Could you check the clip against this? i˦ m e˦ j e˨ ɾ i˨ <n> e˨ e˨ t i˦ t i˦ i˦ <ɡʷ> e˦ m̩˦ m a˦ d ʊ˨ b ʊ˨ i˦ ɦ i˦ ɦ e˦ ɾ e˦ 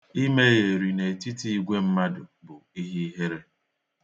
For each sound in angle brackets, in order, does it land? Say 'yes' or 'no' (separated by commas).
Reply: yes, yes